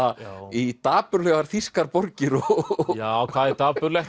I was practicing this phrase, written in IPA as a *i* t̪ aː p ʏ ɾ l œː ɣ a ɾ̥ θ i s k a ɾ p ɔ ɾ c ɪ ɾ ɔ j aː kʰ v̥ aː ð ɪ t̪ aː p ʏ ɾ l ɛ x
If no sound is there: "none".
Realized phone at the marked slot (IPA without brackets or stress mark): i